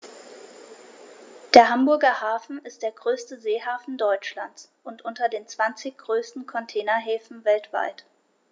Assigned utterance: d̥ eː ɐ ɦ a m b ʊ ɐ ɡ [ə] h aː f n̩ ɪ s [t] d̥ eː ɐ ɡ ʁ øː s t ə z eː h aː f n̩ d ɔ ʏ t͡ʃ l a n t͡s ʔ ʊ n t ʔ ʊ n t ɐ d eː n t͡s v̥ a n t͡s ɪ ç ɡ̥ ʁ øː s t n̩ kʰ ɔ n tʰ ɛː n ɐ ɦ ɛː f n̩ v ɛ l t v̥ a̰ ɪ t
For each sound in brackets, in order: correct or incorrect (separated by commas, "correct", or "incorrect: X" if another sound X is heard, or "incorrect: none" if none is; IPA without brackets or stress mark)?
incorrect: ɐ, correct